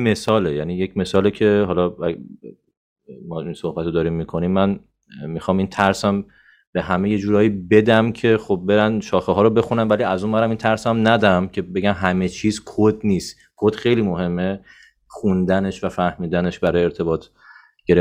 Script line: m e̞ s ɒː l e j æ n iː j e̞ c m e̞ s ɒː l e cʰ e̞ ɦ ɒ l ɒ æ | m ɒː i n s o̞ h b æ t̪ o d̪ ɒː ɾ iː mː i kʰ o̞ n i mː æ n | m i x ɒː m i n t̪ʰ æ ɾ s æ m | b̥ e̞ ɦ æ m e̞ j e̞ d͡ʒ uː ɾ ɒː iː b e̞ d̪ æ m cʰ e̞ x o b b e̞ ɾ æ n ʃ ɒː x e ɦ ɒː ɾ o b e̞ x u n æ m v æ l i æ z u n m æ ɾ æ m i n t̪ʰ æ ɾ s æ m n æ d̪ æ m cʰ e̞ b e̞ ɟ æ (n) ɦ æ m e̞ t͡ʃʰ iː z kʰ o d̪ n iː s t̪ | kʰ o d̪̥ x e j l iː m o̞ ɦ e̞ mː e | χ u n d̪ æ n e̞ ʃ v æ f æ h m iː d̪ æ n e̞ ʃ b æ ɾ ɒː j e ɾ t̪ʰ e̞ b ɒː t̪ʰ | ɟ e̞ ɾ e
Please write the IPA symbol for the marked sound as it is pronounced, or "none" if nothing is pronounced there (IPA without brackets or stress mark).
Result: m